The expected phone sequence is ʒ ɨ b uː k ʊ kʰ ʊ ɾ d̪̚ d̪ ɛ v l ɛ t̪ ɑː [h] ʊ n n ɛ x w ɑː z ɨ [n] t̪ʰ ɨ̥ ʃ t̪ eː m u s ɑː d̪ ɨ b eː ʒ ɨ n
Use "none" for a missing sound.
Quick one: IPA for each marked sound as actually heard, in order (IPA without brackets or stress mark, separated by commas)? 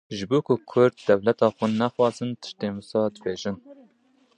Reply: x, n